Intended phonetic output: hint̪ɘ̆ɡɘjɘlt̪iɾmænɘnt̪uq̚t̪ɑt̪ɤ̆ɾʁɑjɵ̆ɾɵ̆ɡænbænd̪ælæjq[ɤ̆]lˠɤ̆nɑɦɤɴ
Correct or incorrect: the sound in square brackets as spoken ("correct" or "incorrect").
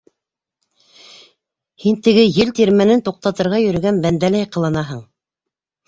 correct